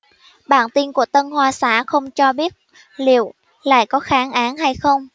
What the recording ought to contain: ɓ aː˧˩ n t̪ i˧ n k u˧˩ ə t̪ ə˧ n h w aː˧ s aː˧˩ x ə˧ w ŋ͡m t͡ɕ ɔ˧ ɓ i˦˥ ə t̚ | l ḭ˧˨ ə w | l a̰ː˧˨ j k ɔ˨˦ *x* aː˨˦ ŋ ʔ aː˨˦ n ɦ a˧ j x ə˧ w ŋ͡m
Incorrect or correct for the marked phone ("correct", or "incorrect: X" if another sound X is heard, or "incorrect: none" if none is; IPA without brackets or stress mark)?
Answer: correct